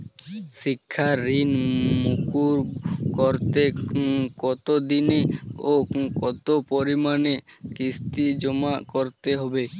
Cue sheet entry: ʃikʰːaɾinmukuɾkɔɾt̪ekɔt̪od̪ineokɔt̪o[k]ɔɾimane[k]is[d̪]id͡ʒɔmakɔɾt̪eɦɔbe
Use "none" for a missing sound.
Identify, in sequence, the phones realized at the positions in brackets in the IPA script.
p, k, t̪

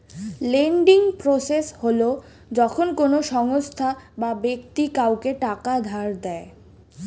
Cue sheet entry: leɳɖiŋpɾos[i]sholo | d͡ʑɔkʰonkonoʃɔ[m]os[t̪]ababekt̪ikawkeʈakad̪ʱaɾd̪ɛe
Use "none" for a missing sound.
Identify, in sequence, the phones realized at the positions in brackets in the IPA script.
e, ŋ, t̪ʰ

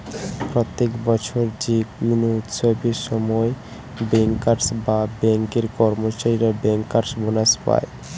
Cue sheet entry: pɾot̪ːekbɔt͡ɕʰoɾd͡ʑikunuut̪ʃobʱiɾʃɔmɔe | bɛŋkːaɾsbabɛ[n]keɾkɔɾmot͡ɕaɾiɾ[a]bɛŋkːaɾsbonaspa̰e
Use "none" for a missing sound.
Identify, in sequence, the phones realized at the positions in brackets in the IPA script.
ŋ, a

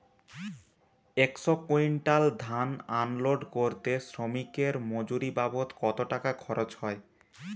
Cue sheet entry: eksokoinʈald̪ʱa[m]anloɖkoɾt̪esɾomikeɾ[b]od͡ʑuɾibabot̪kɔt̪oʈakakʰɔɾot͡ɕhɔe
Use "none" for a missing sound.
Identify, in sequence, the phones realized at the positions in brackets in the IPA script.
n, m

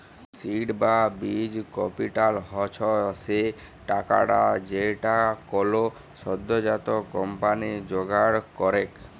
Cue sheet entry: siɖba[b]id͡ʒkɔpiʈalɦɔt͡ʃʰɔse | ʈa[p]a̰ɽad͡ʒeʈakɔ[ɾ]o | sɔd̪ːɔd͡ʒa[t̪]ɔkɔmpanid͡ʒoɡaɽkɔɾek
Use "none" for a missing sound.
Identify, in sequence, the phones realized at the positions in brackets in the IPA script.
b, k, l, t̪

